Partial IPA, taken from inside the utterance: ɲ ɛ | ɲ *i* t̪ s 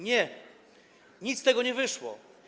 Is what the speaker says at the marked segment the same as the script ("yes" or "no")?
yes